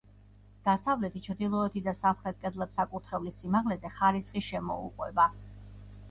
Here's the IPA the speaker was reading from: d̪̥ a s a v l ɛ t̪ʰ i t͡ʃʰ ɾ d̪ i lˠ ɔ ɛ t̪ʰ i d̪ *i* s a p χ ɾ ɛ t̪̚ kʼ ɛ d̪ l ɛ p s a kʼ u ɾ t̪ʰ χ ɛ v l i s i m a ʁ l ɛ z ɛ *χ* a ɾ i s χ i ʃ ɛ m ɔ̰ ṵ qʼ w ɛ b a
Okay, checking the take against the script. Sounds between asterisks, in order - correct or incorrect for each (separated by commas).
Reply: incorrect, correct